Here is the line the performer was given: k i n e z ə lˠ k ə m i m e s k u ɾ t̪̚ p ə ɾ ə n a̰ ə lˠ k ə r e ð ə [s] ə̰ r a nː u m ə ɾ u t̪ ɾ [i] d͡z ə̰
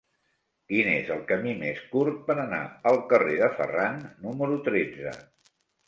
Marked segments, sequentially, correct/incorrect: incorrect: f, incorrect: e

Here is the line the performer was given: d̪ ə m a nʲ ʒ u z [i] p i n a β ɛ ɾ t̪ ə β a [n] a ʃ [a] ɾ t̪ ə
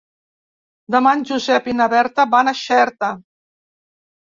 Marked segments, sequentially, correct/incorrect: incorrect: ɛ, correct, incorrect: ɛ

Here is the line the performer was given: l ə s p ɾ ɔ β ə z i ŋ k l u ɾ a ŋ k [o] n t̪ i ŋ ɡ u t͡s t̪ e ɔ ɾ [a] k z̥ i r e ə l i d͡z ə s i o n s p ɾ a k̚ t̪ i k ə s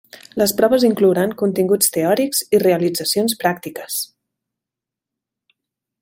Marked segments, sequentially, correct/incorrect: incorrect: u, incorrect: i

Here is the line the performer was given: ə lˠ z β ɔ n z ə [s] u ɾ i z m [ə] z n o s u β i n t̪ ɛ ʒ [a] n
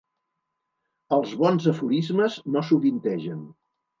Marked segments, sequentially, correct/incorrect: incorrect: f, correct, incorrect: ə

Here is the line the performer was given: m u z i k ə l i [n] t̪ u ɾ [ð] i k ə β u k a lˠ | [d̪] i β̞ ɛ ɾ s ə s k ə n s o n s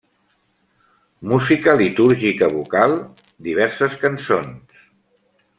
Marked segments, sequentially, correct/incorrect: incorrect: none, incorrect: ʒ, correct

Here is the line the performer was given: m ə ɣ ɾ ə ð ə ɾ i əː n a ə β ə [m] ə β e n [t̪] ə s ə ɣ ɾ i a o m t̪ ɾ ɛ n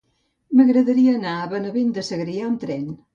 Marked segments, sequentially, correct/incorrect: incorrect: n, incorrect: d̪

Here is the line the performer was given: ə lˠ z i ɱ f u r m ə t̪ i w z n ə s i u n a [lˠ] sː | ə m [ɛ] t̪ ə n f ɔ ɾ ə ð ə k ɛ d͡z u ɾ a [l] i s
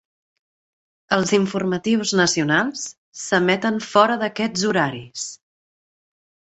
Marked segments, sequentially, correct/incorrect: correct, correct, incorrect: ɾ

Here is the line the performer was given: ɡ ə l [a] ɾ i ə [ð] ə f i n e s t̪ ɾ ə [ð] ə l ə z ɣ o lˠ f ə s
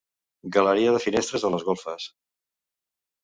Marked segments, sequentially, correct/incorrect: incorrect: ə, correct, incorrect: z

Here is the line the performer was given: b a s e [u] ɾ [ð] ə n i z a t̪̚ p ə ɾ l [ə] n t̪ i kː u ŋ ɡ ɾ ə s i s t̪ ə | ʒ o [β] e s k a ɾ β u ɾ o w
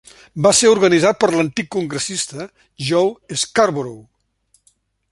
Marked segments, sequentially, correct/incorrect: correct, incorrect: ɣ, correct, incorrect: w

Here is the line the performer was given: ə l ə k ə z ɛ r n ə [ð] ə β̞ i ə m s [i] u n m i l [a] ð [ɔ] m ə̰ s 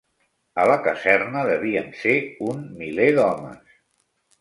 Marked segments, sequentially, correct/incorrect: correct, incorrect: e, incorrect: e, correct

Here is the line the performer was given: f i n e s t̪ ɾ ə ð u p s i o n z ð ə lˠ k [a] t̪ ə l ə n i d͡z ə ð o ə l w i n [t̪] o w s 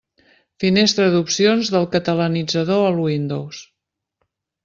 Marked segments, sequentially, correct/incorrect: incorrect: ə, incorrect: d̪

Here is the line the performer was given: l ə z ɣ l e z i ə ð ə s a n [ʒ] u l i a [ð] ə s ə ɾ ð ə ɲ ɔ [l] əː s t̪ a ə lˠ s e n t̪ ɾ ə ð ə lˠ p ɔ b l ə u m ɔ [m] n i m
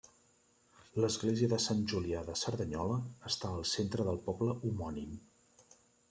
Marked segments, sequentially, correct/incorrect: correct, correct, correct, incorrect: none

